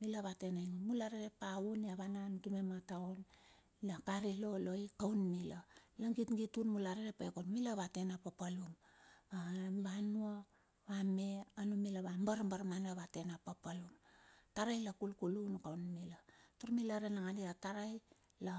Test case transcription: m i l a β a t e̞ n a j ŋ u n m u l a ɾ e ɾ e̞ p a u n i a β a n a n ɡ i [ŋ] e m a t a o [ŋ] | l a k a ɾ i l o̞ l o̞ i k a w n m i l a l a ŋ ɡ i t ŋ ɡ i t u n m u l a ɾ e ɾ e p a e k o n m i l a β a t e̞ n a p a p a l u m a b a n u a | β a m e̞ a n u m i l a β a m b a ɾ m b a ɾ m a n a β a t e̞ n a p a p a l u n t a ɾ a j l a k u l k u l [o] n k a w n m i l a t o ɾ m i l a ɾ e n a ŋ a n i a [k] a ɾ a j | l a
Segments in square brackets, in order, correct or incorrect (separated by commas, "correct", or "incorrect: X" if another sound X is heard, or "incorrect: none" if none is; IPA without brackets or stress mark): incorrect: m, incorrect: n, incorrect: u, incorrect: t